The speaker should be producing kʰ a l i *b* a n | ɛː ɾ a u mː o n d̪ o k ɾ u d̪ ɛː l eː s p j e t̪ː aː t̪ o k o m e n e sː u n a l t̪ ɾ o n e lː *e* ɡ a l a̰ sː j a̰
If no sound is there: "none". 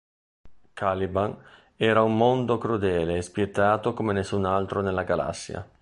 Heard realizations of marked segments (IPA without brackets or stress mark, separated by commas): b, a